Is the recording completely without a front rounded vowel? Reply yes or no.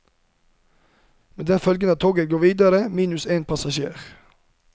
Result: no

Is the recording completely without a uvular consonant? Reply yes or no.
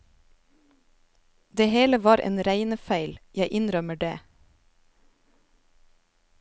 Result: yes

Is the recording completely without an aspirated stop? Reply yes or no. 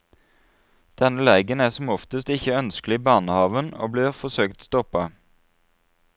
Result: yes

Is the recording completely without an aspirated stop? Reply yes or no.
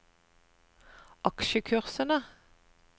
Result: no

